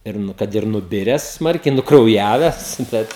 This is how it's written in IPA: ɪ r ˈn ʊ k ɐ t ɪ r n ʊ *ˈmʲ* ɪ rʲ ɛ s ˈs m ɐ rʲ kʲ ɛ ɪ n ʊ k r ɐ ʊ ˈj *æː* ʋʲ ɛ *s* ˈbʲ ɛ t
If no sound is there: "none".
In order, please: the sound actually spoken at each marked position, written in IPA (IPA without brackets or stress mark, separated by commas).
bʲ, æː, s